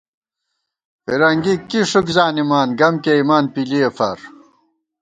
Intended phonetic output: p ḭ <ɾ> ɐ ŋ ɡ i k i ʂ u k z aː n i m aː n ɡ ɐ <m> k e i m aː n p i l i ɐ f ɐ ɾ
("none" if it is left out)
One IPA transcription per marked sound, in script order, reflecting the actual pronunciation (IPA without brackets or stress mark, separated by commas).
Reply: ɾ, m